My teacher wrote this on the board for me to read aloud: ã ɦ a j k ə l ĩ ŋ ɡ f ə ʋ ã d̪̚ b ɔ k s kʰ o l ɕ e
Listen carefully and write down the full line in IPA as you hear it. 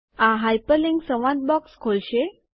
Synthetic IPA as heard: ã ɦ a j p ə l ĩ ŋ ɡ s ə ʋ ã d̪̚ b ɔ k s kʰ o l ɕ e